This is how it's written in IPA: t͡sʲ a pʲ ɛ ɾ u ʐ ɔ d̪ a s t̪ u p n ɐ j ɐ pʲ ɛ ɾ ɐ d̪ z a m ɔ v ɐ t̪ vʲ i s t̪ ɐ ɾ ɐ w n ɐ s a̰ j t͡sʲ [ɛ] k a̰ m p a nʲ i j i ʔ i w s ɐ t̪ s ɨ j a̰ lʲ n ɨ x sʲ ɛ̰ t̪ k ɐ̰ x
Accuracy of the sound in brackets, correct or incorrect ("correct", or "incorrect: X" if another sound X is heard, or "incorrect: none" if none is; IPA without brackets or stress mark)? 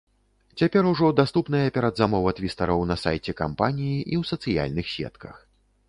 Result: correct